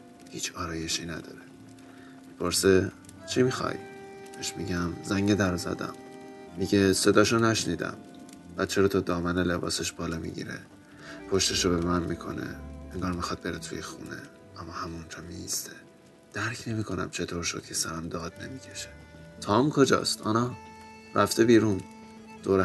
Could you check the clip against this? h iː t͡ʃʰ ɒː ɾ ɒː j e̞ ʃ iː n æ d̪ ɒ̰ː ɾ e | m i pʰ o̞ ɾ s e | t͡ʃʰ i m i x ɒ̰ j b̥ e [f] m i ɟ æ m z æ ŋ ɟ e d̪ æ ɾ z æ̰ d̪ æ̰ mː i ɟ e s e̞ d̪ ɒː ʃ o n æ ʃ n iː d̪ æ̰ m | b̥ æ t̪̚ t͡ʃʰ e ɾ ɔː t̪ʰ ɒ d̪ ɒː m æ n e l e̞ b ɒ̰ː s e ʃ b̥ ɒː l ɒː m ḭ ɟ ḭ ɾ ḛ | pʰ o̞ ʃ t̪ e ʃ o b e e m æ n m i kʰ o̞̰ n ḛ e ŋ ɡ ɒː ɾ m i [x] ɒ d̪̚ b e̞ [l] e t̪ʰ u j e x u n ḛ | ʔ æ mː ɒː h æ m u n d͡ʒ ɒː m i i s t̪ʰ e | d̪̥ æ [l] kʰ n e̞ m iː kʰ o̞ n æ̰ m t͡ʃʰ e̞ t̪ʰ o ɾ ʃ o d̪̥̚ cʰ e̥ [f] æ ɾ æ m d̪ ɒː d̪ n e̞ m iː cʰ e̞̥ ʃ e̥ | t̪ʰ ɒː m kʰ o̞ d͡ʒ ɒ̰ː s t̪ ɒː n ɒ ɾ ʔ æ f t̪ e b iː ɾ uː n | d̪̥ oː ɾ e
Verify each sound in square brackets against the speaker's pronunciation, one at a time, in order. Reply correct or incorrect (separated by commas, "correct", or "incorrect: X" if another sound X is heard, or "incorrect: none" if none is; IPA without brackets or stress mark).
incorrect: ʃ, correct, incorrect: ɾ, incorrect: ɾ, incorrect: s